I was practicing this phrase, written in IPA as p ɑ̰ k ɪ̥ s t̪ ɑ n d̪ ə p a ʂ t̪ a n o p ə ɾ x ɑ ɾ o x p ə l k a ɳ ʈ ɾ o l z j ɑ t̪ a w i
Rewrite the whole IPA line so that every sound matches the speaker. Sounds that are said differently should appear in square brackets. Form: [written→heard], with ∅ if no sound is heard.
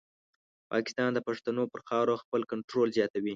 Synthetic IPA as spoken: p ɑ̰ k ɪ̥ s t̪ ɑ n d̪ ə p a ʂ t̪ a n o p ə ɾ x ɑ ɾ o x p ə l k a ɳ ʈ ɾ o l z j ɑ t̪ a w i